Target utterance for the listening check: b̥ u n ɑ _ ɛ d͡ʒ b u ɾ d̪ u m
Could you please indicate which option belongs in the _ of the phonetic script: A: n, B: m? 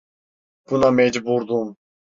B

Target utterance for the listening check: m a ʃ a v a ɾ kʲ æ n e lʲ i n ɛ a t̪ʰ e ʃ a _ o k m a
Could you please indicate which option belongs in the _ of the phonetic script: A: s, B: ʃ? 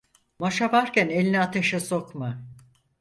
A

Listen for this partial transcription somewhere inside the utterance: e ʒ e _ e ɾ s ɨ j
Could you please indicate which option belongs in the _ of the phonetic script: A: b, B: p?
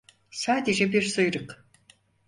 A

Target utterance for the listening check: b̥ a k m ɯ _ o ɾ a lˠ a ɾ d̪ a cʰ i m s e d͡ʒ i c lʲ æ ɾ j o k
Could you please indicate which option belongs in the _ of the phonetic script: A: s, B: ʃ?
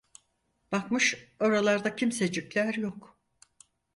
B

